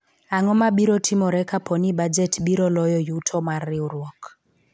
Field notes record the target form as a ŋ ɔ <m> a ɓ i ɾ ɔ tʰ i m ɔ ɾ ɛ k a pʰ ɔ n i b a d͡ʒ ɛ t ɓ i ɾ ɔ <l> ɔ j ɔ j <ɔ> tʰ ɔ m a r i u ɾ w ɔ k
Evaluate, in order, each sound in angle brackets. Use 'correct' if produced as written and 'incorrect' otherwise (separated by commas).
correct, correct, incorrect